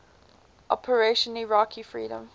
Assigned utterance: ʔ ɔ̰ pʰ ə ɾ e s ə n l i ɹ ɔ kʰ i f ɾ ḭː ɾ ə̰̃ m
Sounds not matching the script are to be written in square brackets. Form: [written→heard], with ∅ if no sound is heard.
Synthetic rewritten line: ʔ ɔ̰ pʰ ə [ɾ→ɹ] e [s→ʃ] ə n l i ɹ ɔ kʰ i f [ɾ→ɹ] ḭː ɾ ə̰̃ m

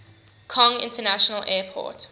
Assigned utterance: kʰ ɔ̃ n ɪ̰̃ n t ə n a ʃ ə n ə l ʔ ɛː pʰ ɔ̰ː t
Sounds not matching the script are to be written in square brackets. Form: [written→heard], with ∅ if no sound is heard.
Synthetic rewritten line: kʰ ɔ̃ [n→ŋ] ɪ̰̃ n t ə n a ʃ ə n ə l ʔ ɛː pʰ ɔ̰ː t

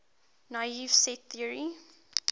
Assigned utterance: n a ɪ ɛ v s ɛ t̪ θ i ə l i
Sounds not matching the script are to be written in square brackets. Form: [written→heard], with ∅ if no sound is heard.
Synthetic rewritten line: n a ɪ [ɛ→i] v s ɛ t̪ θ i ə [l→ɹ] i

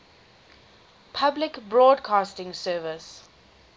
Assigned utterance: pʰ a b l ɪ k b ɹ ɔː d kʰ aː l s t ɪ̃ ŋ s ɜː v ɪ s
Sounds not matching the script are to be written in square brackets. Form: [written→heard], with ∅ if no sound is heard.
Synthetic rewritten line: pʰ a b l ɪ k b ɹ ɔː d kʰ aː [l→∅] s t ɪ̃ ŋ s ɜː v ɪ s

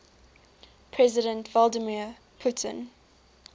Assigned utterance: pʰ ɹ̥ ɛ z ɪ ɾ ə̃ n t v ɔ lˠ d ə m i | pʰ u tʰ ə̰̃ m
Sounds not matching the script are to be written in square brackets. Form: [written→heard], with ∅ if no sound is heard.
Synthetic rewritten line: pʰ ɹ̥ ɛ z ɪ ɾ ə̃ n t v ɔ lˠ d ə m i | pʰ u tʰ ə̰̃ [m→n]

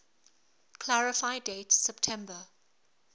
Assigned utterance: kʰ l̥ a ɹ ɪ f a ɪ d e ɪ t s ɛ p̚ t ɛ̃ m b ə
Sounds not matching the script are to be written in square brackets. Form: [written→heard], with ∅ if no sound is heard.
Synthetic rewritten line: kʰ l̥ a ɹ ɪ f a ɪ d e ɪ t s ɛ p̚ [t→tʰ] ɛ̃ m b ə

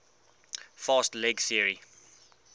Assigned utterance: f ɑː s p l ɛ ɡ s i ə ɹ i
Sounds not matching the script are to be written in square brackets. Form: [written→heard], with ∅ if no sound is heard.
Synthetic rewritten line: f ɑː s [p→t] l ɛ ɡ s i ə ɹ i

